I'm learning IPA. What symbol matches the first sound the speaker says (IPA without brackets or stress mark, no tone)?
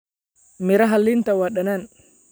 m